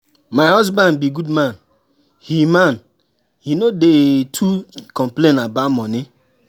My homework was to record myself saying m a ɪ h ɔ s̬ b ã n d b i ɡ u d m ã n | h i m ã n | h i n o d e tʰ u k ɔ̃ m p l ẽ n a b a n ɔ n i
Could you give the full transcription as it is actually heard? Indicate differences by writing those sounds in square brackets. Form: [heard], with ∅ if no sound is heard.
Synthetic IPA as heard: m a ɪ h ɔ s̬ b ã n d b i ɡ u d m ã n | h i m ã n | h i n o d e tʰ u k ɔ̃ m p l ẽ n a b a [m] ɔ n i